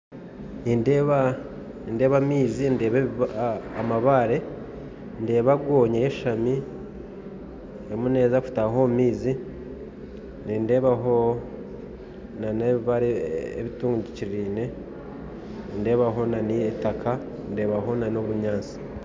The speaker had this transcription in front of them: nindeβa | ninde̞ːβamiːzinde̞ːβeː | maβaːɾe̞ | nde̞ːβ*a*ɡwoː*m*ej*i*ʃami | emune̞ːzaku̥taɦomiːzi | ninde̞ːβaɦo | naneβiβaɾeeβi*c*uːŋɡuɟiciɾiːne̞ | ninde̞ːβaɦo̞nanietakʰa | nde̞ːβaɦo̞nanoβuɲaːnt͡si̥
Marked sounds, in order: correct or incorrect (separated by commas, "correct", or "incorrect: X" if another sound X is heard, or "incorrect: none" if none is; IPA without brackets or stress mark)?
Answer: correct, incorrect: ɲ, incorrect: e, incorrect: t